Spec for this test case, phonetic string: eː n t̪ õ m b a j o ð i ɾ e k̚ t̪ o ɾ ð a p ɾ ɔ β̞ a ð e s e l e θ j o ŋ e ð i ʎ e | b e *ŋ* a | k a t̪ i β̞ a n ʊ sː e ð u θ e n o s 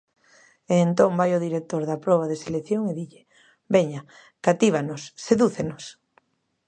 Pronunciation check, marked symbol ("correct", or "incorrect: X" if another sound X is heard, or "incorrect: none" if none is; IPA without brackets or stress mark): incorrect: ɲ